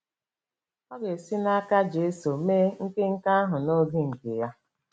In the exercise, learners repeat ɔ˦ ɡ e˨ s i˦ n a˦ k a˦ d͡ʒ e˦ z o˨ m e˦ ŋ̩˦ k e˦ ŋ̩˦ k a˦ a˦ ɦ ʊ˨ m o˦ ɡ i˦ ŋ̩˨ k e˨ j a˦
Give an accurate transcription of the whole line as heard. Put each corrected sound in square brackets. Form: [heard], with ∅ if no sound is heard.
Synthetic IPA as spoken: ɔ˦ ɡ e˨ s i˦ n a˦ k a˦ d͡ʒ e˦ [s] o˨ m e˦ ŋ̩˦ k e˦ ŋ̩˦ k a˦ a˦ ɦ ʊ˨ [n] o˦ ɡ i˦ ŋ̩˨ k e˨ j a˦